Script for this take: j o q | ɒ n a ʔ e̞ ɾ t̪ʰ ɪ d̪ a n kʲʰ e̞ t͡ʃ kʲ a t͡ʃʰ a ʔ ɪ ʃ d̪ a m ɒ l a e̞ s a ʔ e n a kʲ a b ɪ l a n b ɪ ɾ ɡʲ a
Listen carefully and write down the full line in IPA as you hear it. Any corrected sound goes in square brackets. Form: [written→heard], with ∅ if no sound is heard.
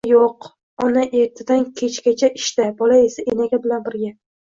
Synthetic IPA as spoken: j o q | ɒ n a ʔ e̞ ɾ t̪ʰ ɪ d̪ a n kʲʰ e̞ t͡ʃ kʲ a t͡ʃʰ a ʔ ɪ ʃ [d̪→t̪] a [m→b] ɒ l a e̞ s a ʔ e n a [kʲ→ɡʲ] a b ɪ l a n b ɪ ɾ ɡʲ a